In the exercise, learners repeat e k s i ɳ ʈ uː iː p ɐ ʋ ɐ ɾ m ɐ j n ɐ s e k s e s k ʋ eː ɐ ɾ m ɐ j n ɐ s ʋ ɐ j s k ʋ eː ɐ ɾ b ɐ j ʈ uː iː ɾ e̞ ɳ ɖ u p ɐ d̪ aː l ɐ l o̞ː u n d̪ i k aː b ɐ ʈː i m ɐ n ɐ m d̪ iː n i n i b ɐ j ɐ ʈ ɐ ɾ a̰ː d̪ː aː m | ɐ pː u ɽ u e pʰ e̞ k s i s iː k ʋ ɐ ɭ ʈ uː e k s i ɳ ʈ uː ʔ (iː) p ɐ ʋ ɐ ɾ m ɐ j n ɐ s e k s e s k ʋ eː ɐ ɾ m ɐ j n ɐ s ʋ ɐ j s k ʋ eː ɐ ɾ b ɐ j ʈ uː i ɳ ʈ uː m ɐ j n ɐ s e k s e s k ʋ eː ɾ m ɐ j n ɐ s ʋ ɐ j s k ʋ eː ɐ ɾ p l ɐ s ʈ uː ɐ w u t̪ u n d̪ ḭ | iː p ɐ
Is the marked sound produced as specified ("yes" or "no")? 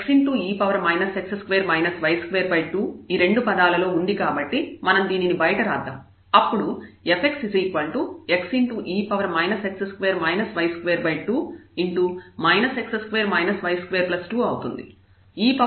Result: yes